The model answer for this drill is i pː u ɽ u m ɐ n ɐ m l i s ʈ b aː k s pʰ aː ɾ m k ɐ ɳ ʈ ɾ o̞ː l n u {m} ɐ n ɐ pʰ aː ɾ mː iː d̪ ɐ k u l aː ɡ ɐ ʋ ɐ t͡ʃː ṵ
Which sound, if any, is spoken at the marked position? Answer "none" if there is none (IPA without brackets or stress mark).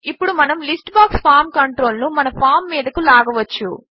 m